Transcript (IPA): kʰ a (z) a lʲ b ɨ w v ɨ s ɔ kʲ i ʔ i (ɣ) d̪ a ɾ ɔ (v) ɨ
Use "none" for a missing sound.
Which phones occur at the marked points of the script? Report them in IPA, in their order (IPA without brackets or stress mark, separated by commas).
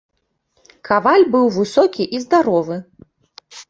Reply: v, z, v